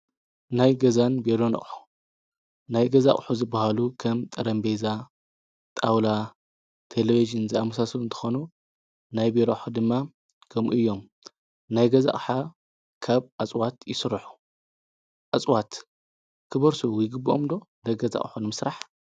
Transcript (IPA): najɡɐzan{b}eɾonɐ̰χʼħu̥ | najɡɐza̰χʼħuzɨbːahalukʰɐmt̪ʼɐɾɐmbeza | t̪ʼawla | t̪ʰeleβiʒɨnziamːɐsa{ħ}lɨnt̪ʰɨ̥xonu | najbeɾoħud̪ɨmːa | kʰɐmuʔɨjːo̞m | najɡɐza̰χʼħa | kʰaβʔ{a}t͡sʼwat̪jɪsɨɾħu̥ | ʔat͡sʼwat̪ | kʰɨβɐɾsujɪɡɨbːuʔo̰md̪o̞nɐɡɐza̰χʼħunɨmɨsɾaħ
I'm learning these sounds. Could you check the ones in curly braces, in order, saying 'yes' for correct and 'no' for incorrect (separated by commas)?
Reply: yes, no, yes